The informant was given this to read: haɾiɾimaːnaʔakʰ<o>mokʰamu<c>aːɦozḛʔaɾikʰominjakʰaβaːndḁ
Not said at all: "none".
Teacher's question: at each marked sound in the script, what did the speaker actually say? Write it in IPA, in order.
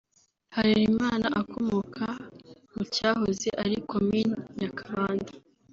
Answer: o, c

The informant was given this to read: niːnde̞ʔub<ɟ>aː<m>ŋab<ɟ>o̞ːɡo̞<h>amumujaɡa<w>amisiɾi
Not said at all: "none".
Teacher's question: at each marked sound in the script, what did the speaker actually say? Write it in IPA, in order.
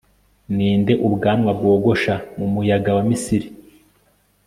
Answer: ɡ, m, ɡ, ʃ, w

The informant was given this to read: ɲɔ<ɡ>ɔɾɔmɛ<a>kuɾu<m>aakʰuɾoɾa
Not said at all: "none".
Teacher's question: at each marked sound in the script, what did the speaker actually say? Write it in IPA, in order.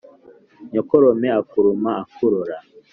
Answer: k, a, m

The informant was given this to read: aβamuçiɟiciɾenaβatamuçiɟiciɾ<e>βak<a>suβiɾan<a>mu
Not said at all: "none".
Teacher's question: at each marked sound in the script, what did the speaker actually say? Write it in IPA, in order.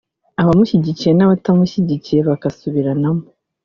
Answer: e, a, a

